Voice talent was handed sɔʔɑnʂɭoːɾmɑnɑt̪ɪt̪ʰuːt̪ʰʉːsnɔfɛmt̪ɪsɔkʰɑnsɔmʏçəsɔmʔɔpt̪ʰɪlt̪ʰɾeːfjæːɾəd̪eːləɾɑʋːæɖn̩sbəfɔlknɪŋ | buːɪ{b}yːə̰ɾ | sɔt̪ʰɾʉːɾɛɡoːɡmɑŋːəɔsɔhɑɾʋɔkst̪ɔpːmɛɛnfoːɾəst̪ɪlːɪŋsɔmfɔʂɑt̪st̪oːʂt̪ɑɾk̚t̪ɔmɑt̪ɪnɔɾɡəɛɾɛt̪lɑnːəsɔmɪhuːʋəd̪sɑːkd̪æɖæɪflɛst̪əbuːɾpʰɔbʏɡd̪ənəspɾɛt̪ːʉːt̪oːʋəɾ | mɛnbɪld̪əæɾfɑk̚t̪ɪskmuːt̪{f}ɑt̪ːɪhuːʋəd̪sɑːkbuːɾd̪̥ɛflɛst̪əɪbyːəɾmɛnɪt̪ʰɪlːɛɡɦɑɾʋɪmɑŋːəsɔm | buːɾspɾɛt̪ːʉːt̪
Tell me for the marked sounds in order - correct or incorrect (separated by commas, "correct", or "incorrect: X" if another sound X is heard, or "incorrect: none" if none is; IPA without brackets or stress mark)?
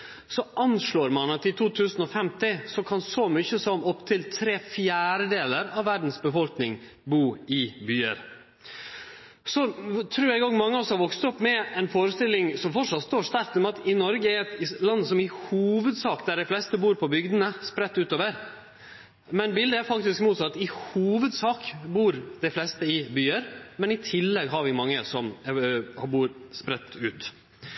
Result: correct, incorrect: s